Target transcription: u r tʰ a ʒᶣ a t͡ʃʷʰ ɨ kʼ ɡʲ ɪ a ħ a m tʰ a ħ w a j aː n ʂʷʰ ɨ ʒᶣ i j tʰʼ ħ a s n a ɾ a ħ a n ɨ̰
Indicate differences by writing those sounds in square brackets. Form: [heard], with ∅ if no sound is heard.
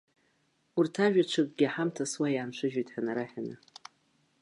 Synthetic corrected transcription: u r tʰ a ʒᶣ a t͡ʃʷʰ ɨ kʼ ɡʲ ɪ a ħ a m tʰ a [s] w a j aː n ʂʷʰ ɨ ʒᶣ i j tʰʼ ħ a [∅] n a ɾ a ħ a n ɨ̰